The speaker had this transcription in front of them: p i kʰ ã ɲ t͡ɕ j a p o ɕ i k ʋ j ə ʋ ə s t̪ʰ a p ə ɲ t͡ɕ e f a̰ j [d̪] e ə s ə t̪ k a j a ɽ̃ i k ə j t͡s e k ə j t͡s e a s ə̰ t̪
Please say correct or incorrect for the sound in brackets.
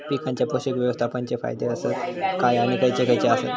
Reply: correct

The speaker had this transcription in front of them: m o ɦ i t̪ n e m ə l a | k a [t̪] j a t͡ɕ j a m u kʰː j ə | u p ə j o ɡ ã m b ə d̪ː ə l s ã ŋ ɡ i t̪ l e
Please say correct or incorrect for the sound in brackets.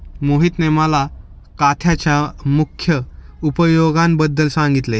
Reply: incorrect: t̪ʰ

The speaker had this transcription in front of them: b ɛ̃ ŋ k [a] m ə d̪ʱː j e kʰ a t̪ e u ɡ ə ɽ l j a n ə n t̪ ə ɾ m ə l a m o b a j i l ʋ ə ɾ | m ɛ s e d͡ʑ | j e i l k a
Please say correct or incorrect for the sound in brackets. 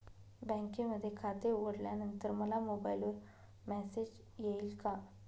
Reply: incorrect: e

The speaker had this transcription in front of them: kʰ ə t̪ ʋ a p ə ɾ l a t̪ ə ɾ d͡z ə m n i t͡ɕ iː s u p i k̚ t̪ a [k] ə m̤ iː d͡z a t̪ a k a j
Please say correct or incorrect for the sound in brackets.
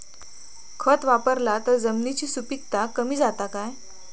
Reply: correct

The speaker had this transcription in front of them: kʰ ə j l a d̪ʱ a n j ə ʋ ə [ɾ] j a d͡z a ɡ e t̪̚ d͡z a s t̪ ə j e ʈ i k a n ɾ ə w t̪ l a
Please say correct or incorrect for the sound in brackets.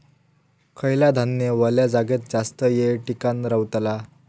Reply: incorrect: l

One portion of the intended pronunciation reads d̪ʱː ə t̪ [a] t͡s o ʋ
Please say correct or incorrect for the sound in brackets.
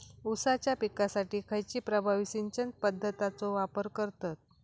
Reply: correct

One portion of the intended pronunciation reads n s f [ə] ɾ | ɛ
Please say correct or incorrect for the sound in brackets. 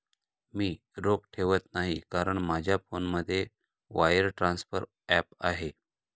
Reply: correct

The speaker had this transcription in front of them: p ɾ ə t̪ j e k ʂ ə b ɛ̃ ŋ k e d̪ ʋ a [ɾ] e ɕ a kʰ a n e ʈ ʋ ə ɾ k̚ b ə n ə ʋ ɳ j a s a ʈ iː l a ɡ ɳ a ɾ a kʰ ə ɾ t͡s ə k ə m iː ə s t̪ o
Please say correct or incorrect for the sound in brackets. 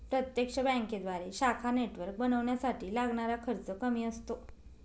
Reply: correct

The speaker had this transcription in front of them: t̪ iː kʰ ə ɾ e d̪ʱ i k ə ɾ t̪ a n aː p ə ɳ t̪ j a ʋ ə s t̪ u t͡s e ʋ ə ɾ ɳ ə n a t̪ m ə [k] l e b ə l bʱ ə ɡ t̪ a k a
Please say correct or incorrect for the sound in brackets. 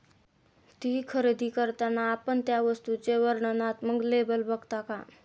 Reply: incorrect: ɡ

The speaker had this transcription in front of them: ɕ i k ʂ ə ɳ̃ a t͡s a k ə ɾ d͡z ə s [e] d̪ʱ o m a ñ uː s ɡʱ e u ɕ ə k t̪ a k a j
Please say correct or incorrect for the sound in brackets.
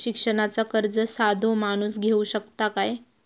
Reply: incorrect: a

